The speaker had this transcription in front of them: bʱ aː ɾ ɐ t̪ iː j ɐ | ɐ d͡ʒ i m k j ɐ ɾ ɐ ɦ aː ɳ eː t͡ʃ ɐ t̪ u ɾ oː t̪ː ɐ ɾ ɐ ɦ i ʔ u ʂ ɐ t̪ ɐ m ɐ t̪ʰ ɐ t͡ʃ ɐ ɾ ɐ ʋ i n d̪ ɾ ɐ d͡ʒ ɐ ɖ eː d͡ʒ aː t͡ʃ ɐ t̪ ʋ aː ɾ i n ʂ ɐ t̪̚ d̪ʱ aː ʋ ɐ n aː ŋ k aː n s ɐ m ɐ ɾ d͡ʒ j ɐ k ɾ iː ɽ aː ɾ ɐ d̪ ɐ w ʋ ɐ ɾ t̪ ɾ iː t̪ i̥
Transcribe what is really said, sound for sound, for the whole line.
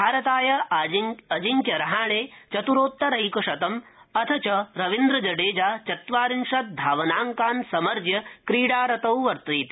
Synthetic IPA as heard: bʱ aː ɾ ɐ t̪ aː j ɐ | ɐ d͡ʒ i ŋ k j ɐ ɾ ɐ ɦ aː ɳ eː t͡ʃ ɐ t̪ u ɾ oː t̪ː ɐ ɾ ɐ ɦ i k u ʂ ɐ t̪ ɐ m ɐ t̪ʰ ɐ t͡ʃ ɐ ɾ ɐ ʋ i n d̪ ɾ ɐ d͡ʒ ɐ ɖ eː d͡ʒ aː t͡ʃ ɐ t̪ ʋ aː ɾ i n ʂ ɐ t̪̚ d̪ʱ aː ʋ ɐ n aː ŋ k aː n s ɐ m ɐ ɾ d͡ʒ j ɐ k ɾ iː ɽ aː ɾ ɐ t̪ ɐ w ʋ ɐ ɾ t̪ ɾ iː t̪ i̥